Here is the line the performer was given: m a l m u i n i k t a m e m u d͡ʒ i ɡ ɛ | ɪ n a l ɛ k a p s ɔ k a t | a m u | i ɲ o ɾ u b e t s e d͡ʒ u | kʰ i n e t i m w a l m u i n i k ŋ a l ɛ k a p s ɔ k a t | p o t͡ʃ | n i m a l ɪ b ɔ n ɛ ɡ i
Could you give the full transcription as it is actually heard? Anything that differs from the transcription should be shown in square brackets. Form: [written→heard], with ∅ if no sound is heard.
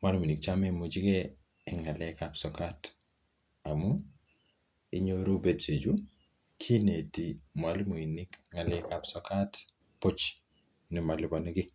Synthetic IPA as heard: m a l m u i n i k [t→t͡ʃ] a m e m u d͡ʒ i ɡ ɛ | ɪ [n→ŋ] a l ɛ k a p s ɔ k a t | a m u | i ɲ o ɾ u b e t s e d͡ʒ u | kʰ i n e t i m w a l m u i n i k ŋ a l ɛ k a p s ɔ k a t | p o t͡ʃ | n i m a l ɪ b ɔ n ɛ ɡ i